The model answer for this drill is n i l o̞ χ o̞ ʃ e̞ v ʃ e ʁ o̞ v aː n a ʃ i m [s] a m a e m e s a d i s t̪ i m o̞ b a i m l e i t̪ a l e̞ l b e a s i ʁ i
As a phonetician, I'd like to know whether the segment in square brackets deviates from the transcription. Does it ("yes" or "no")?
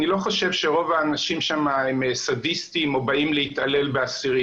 yes